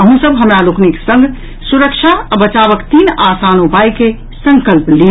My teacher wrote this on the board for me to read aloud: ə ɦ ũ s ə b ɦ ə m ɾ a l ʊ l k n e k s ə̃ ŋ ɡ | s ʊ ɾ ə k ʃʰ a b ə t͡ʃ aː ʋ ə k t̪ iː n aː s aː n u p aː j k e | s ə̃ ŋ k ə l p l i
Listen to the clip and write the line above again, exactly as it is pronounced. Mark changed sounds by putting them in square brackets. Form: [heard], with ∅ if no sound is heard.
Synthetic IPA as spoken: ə ɦ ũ s ə b ɦ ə m ɾ a l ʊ [∅] k n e k s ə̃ ŋ ɡ | s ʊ ɾ ə k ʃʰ a b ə t͡ʃ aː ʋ ə k t̪ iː n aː s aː n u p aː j k e | s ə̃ ŋ k ə l p l i